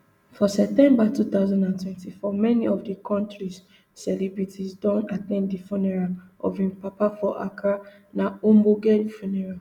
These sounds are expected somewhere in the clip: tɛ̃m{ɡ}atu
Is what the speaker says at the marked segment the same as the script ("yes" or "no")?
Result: no